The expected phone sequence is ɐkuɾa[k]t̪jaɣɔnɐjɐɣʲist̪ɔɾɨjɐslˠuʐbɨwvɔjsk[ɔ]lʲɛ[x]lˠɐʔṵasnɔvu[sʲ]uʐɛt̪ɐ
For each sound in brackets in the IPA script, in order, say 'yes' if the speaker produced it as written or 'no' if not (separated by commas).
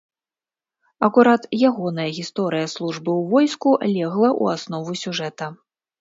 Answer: no, no, no, yes